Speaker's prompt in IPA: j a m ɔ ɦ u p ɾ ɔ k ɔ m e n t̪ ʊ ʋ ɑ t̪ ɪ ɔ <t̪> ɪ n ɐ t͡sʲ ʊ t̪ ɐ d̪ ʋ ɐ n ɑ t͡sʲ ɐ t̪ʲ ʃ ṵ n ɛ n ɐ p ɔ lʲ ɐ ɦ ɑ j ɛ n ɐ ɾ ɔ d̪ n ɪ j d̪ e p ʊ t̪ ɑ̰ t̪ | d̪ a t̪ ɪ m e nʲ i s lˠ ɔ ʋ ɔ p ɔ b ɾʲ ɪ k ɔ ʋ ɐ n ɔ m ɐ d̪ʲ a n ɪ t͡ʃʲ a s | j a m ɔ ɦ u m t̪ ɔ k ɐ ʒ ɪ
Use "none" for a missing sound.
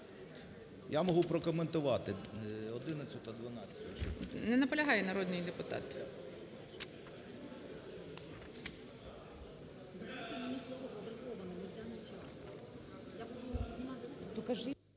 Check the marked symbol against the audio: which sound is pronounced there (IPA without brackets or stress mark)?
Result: d̪